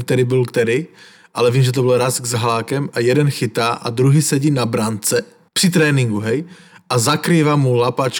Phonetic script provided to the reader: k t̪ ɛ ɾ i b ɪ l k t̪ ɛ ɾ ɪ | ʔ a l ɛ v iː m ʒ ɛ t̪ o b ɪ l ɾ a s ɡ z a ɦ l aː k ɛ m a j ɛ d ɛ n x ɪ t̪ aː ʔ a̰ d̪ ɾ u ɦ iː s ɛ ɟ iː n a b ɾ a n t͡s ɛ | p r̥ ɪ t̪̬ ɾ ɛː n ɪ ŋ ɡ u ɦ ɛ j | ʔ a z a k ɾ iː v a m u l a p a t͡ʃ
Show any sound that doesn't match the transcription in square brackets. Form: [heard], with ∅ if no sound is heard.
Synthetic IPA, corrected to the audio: k t̪ ɛ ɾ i b ɪ l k t̪ ɛ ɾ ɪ | ʔ a l ɛ v iː m ʒ ɛ t̪ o b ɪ l ɾ a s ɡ z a ɦ l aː k ɛ m a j ɛ d ɛ n x ɪ t̪ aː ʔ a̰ d̪ ɾ u ɦ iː s ɛ ɟ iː n a b ɾ a n t͡s ɛ | p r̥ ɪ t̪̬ ɾ ɛː n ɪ ŋ ɡ u ɦ ɛ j | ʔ a z a k ɾ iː v a m u l a p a t͡ʃ